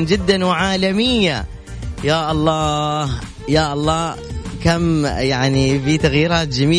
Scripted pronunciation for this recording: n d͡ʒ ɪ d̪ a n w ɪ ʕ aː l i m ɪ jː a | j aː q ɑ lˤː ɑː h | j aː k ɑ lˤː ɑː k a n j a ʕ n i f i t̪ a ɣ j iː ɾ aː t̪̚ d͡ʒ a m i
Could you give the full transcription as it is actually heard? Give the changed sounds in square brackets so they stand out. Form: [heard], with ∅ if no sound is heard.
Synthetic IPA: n d͡ʒ ɪ [d̪ː] a n w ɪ ʕ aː l [a] m ɪ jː a | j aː [ʔ] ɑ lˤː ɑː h | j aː [ʔ] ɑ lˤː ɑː k a [m] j a ʕ n i f i t̪ a ɣ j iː ɾ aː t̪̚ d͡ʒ a m [iː]